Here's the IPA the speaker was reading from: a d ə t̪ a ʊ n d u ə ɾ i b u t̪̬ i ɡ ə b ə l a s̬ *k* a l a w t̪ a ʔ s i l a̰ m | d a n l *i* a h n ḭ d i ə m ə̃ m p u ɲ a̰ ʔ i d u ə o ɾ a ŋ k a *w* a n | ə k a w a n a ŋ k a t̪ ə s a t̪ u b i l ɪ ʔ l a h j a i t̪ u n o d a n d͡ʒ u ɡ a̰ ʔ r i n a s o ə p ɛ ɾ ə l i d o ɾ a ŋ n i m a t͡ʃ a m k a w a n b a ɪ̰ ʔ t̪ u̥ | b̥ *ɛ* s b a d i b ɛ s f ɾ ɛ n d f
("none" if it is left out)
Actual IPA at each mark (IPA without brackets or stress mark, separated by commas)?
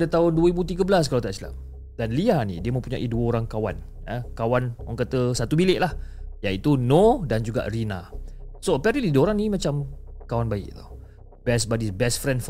k, i, w, ɛ